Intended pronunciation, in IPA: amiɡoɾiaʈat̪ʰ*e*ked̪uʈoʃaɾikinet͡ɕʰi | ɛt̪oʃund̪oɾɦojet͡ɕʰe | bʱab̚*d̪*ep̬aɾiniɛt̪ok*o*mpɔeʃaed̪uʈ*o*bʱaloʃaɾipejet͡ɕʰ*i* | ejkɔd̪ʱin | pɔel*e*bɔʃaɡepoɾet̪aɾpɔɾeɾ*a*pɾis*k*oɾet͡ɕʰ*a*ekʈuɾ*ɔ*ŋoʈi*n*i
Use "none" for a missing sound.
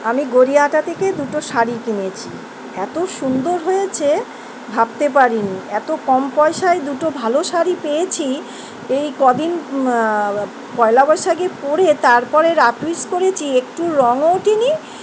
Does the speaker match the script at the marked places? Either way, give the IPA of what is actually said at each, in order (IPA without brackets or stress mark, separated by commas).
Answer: e, t̪, ɔ, o, i, a, a, k, i, ɔ, n